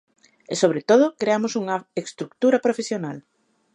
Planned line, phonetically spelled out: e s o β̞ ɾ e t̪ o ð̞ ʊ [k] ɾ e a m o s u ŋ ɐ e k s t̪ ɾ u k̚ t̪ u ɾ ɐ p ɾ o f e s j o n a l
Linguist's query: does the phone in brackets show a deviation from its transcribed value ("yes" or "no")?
no